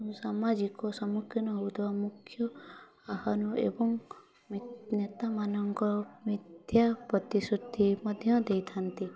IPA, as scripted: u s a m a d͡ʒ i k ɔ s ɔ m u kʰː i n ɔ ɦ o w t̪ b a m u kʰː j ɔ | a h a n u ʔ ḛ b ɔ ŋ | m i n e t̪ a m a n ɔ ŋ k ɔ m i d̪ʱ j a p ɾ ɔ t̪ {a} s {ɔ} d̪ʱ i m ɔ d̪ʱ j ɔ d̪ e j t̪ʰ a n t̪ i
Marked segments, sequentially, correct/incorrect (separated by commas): incorrect, incorrect